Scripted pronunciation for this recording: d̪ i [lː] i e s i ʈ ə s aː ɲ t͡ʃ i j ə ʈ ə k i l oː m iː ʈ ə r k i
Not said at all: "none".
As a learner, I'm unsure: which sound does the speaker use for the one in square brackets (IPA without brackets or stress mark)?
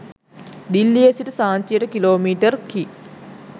lː